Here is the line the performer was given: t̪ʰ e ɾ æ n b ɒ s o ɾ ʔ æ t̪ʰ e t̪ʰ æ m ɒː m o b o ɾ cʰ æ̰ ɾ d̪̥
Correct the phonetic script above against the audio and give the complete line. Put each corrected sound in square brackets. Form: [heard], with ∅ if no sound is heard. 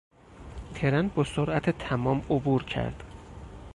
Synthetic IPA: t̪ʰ e ɾ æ n b ɒ s o ɾ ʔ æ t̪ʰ e t̪ʰ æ m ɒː m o b [u] ɾ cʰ æ̰ ɾ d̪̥